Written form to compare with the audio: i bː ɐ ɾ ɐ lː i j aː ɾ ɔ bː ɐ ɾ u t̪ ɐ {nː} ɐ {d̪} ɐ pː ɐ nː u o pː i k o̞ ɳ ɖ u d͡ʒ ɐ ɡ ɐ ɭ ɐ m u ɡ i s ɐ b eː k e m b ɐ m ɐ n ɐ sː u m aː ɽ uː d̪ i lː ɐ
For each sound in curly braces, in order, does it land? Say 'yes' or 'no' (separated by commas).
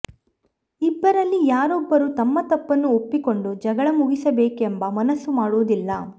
no, no